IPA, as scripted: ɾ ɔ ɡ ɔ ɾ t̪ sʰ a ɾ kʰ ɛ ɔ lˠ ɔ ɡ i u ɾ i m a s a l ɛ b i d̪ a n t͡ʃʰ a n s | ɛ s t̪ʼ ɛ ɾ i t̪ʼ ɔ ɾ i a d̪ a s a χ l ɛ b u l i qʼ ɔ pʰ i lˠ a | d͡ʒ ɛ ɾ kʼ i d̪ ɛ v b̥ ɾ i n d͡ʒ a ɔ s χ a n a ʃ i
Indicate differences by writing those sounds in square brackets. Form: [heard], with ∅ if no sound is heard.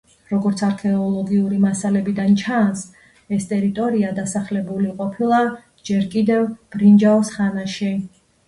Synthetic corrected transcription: ɾ ɔ ɡ ɔ ɾ t̪ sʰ a ɾ kʰ ɛ ɔ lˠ ɔ ɡ i u ɾ i m a s a l ɛ b i d̪ a n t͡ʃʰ a n s | ɛ s t̪ʼ ɛ ɾ i t̪ʼ ɔ ɾ i a d̪ a s a χ l ɛ b u l i qʼ ɔ pʰ i lˠ a | d͡ʒ ɛ ɾ kʼ i d̪ ɛ v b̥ ɾ i n d͡ʒ a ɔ s χ a n a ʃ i

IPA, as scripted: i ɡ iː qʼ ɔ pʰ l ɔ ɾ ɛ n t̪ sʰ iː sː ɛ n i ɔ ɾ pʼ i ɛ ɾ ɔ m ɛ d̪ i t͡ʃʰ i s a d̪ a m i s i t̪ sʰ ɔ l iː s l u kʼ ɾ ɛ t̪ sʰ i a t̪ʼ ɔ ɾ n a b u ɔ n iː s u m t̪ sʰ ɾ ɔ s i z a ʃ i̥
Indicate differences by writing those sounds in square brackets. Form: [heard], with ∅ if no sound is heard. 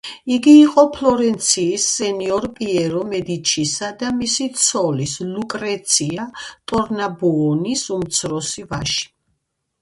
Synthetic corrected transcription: i ɡ iː qʼ ɔ pʰ l ɔ ɾ ɛ n t̪ sʰ iː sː ɛ n i ɔ ɾ pʼ i ɛ ɾ ɔ m ɛ d̪ i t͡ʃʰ i s a d̪ a m i s i t̪ sʰ ɔ l [i] s l u kʼ ɾ ɛ t̪ sʰ i a t̪ʼ ɔ ɾ n a b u ɔ n [i] s u m t̪ sʰ ɾ ɔ s i [v] a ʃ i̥

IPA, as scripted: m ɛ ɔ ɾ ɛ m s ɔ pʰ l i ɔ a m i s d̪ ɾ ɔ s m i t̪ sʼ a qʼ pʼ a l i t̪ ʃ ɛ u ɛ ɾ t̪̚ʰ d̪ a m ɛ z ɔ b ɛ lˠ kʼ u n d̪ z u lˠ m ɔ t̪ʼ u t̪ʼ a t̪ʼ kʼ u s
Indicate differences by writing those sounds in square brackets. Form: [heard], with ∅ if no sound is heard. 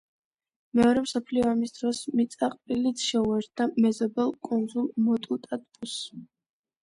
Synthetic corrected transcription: m ɛ ɔ ɾ ɛ m s ɔ pʰ l i ɔ a m i s d̪ ɾ ɔ s m i t̪ sʼ a qʼ pʼ [i] l i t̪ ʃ ɛ u ɛ ɾ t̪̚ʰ d̪ a m ɛ z ɔ b ɛ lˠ kʼ u n d̪ z u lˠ m ɔ t̪ʼ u t̪ʼ a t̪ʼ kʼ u s

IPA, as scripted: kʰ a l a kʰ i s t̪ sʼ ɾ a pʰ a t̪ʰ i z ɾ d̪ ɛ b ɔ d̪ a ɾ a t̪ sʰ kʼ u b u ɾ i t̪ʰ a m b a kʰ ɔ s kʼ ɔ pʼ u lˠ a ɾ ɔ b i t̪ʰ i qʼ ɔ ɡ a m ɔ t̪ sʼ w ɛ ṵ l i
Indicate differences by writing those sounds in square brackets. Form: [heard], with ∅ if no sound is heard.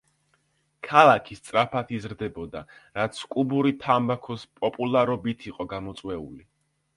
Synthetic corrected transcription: kʰ a l a kʰ i s t̪ sʼ ɾ a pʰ a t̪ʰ i z ɾ d̪ ɛ b ɔ d̪ a ɾ a t̪ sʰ kʼ u b u ɾ i t̪ʰ a m b a kʰ ɔ s [pʼ] ɔ pʼ u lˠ a ɾ ɔ b i t̪ʰ i qʼ ɔ ɡ a m ɔ t̪ sʼ w ɛ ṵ l i

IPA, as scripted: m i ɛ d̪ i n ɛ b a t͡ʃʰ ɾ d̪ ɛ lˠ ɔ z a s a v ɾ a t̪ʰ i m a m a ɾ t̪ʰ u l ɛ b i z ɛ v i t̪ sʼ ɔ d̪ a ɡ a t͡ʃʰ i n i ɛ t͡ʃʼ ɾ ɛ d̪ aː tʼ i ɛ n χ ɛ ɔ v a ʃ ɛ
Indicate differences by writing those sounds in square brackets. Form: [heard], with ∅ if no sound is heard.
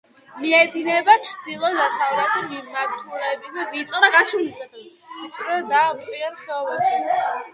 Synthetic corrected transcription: m i ɛ d̪ i n ɛ b a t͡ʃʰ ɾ d̪ [i] lˠ ɔ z a s a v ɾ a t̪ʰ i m [i] m a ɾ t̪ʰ u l ɛ b i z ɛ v i t̪ sʼ ɔ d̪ a ɡ a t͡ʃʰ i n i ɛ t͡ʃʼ ɾ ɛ d̪ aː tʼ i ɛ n χ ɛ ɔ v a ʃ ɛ

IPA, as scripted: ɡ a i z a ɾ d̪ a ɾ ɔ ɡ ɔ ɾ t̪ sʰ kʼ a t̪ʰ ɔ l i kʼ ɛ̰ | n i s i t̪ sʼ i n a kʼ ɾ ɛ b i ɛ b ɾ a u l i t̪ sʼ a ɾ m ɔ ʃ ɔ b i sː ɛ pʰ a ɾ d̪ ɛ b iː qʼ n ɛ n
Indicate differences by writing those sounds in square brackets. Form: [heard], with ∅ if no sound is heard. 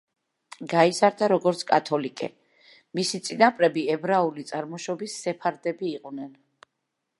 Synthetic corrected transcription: ɡ a i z a ɾ d̪ a ɾ ɔ ɡ ɔ ɾ t̪ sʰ kʼ a t̪ʰ ɔ l i kʼ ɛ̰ | [m] i s i t̪ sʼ i n a [pʼ] ɾ ɛ b i ɛ b ɾ a u l i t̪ sʼ a ɾ m ɔ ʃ ɔ b i sː ɛ pʰ a ɾ d̪ ɛ b iː qʼ n ɛ n

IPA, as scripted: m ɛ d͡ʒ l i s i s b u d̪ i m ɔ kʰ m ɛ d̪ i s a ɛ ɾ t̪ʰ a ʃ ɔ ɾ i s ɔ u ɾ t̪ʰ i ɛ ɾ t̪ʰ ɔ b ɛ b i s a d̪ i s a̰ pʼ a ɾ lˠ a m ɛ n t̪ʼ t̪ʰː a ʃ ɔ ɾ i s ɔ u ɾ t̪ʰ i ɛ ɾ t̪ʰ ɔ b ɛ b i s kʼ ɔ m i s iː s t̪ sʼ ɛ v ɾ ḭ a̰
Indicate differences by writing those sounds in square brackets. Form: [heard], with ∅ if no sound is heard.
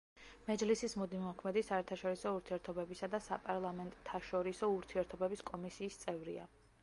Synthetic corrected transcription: m ɛ d͡ʒ l i s i s [m] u d̪ i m ɔ kʰ m ɛ d̪ i s a ɛ ɾ t̪ʰ a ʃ ɔ ɾ i s ɔ u ɾ t̪ʰ i ɛ ɾ t̪ʰ ɔ b ɛ b i s a d̪ [a] s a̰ pʼ a ɾ lˠ a m ɛ n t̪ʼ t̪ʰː a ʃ ɔ ɾ i s ɔ u ɾ t̪ʰ i ɛ ɾ t̪ʰ ɔ b ɛ b i s kʼ ɔ m i s iː s t̪ sʼ ɛ v ɾ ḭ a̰

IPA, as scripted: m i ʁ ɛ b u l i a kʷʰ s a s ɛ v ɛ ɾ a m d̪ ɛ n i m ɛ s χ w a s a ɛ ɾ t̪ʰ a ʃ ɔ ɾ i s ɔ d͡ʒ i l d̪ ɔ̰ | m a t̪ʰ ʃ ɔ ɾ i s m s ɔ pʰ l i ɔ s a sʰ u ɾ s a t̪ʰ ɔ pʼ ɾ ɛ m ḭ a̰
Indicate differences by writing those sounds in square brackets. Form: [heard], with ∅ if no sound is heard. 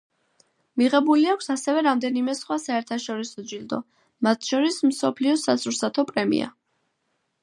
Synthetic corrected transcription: m i ʁ ɛ b u l i a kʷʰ s a s ɛ v ɛ ɾ a m d̪ ɛ n i m ɛ s χ w a s a ɛ ɾ t̪ʰ a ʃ ɔ ɾ i s ɔ d͡ʒ i l d̪ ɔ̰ | m a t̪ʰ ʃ ɔ ɾ i s m s ɔ pʰ l i ɔ s a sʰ u ɾ s a t̪ʰ ɔ pʼ ɾ ɛ m ḭ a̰

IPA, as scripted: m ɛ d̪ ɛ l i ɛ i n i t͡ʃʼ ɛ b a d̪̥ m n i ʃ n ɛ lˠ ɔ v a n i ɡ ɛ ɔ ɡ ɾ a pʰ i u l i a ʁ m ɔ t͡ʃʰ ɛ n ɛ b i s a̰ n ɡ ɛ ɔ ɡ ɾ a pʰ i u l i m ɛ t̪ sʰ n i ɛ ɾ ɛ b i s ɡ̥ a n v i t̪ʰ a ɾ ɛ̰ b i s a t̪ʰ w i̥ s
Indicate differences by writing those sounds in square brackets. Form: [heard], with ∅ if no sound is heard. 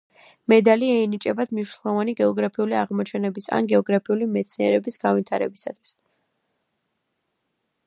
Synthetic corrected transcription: m ɛ d̪ [a] l i ɛ i n i t͡ʃʼ ɛ b a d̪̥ m n i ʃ n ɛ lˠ ɔ v a n i ɡ ɛ ɔ ɡ ɾ a pʰ i u l i a ʁ m ɔ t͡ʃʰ ɛ n ɛ b i s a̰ n ɡ ɛ ɔ ɡ ɾ a pʰ i u l i m ɛ t̪ sʰ n i ɛ ɾ ɛ b i s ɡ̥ a n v i t̪ʰ a ɾ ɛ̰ b i s a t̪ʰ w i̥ s

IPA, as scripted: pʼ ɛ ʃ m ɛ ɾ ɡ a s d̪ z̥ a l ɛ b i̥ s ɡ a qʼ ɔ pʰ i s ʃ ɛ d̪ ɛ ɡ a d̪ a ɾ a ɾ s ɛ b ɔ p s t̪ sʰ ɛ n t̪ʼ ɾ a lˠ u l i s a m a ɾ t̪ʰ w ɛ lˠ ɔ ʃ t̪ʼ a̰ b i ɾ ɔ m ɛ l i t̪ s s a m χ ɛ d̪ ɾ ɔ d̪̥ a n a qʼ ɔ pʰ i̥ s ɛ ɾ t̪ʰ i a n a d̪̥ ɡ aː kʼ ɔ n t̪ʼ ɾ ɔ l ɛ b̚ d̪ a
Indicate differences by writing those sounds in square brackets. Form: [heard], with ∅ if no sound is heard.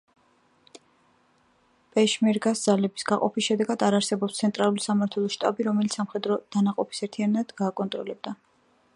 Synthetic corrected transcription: pʼ ɛ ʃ m ɛ ɾ ɡ a s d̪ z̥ a l ɛ b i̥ s ɡ a qʼ ɔ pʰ i s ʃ ɛ d̪ ɛ ɡ a d̪ a ɾ a ɾ s ɛ b ɔ p s t̪ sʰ ɛ n t̪ʼ ɾ a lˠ u l i s a m a ɾ t̪ʰ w ɛ lˠ ɔ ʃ t̪ʼ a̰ b i ɾ ɔ m ɛ l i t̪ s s a m χ ɛ d̪ ɾ ɔ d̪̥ a n a qʼ ɔ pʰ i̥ s ɛ ɾ t̪ʰ i a n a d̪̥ ɡ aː kʼ ɔ n t̪ʼ ɾ ɔ l ɛ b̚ d̪ a

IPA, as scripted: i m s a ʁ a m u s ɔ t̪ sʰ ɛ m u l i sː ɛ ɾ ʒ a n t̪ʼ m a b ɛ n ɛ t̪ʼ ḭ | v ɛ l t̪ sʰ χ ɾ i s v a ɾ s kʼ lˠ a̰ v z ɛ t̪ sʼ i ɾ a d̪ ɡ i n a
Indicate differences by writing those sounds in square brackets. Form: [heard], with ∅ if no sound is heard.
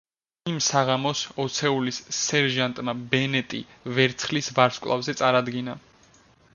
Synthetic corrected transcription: i m s a ʁ a m [ɔ] s ɔ t̪ sʰ ɛ [∅] u l i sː ɛ ɾ ʒ a n t̪ʼ m a b ɛ n ɛ t̪ʼ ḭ | v ɛ [ɾ] t̪ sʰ χ [l] i s v a ɾ s kʼ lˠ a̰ v z ɛ t̪ sʼ [a] ɾ a d̪ ɡ i n a

